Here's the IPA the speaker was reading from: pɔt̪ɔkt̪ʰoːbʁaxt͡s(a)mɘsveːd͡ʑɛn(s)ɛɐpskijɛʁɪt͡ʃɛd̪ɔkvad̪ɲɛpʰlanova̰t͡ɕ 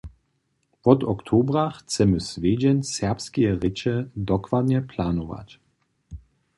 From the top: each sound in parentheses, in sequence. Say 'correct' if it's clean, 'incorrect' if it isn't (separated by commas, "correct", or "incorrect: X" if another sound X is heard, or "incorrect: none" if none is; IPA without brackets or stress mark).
incorrect: ɛ, correct